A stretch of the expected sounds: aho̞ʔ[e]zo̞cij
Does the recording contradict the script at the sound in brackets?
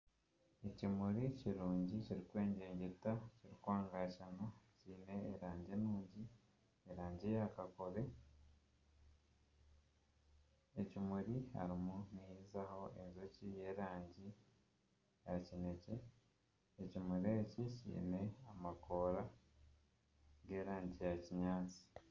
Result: no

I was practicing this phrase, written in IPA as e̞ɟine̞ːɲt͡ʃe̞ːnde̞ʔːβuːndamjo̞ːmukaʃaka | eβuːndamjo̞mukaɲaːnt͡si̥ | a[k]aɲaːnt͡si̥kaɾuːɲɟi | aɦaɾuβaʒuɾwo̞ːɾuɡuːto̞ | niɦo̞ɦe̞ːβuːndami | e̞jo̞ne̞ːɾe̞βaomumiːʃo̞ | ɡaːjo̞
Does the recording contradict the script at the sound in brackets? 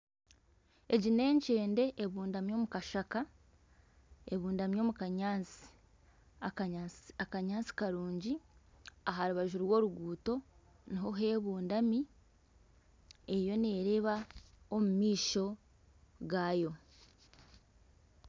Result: no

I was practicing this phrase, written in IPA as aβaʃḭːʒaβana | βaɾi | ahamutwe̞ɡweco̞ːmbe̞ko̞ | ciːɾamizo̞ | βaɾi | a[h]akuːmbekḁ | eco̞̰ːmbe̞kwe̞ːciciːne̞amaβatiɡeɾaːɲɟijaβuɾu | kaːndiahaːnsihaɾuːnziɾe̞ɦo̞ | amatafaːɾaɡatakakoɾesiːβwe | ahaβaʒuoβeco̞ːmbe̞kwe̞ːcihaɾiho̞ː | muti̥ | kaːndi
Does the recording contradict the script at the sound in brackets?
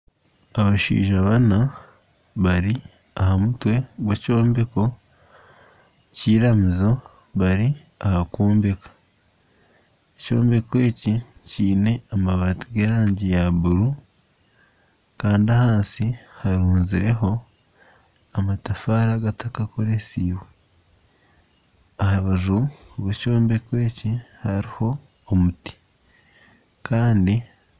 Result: no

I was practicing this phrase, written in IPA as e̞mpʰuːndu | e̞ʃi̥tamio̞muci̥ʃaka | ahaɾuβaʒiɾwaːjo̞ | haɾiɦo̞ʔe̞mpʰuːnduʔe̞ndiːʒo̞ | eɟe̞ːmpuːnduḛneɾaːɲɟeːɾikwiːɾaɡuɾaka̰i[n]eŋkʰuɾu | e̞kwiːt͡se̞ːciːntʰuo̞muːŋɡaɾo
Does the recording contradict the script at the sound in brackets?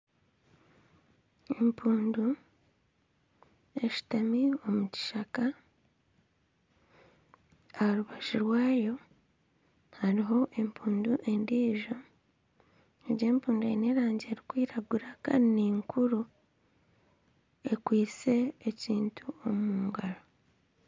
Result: no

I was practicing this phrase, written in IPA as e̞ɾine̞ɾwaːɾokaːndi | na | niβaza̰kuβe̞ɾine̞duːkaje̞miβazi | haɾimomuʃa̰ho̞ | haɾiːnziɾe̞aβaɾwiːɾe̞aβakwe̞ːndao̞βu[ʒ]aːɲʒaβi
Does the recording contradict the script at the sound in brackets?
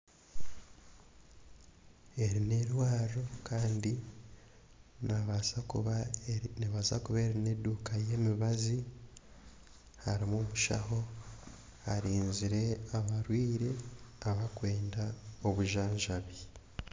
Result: no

